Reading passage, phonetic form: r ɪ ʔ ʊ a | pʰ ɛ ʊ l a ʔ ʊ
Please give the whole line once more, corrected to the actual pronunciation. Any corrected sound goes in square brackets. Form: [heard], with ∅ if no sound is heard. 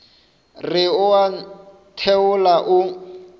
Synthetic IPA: r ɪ [∅] ʊ a | [tʰ] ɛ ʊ l a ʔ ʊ